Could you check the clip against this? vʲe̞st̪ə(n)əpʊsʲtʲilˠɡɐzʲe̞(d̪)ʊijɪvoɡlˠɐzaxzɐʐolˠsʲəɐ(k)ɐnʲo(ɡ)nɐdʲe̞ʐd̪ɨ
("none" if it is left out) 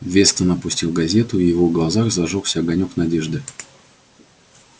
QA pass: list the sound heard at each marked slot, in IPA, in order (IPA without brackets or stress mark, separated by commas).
n, t̪, ɡ, k